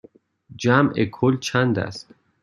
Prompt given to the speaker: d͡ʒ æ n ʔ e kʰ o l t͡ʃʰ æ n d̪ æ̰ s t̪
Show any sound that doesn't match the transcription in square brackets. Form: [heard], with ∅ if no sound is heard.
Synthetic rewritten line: d͡ʒ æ [m] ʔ e kʰ o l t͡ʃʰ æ n d̪ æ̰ s t̪